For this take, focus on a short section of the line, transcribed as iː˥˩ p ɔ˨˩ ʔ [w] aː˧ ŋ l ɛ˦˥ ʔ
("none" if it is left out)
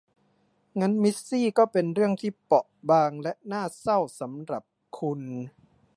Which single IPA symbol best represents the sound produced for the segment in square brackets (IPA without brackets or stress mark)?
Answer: b